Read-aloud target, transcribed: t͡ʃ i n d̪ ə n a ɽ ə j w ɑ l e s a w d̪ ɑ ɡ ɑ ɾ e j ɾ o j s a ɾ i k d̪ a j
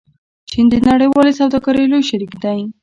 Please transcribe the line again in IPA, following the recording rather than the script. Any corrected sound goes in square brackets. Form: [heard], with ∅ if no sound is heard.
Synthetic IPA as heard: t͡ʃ i n d̪ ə n a ɽ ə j w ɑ l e s a w d̪ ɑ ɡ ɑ ɾ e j [l] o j [ʃ] a ɾ i k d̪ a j